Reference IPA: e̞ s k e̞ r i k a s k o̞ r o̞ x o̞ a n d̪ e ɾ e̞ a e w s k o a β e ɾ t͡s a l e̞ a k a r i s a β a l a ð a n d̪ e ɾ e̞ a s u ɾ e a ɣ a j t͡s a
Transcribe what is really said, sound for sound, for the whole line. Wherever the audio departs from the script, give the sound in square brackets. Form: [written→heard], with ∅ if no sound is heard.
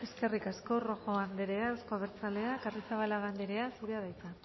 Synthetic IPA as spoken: e̞ s k e̞ r i k a s k o̞ r o̞ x o̞ a n d̪ e ɾ e̞ a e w s k o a β e ɾ t͡s a l e̞ a k a r i s a β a l a [ð→ɣ] a n d̪ e ɾ e̞ a s u ɾ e a [ɣ→ð] a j t͡s a